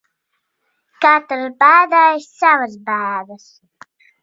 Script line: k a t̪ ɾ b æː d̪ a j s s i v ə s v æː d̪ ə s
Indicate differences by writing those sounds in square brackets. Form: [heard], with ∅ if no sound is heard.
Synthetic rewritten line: k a t̪ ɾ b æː d̪ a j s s [a] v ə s [b] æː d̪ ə s